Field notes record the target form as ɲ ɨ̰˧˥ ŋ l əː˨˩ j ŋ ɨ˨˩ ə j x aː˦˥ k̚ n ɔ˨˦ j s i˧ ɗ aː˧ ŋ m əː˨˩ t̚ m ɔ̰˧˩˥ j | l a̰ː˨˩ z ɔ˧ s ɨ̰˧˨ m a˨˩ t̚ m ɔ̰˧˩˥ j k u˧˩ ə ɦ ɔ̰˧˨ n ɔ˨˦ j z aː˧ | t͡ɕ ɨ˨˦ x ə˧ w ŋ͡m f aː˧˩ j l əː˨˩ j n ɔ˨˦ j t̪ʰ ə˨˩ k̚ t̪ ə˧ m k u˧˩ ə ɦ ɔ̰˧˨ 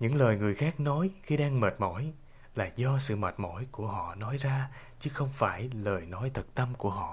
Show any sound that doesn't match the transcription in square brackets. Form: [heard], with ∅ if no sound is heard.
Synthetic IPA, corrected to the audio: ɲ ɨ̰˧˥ ŋ l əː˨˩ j ŋ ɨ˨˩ ə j x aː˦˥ k̚ n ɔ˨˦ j [x] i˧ ɗ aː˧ ŋ m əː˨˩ t̚ m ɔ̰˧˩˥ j | l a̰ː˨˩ z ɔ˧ s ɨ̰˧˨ m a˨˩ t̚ m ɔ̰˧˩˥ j k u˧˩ ə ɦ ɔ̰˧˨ n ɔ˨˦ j z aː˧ | t͡ɕ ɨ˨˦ x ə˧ w ŋ͡m f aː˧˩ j l əː˨˩ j n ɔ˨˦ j t̪ʰ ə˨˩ k̚ t̪ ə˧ m k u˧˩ ə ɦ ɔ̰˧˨